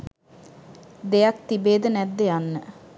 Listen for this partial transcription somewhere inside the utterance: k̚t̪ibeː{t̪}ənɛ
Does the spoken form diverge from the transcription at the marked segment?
yes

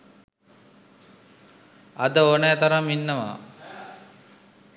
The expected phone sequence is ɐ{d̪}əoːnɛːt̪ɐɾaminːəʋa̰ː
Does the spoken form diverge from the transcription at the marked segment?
no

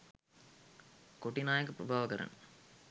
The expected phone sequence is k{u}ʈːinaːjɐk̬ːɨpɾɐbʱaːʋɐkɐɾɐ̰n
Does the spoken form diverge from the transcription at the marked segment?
yes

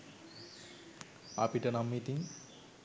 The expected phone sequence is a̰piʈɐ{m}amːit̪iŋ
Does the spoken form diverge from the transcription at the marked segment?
yes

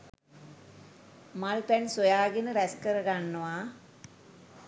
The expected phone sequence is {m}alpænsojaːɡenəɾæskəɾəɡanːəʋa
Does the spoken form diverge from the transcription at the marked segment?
no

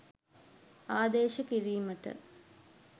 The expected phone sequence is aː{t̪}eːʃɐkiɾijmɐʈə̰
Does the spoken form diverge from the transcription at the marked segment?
yes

